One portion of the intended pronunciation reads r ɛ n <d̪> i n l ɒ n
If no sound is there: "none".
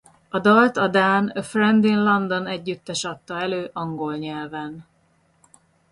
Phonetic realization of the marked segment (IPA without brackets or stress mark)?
d̪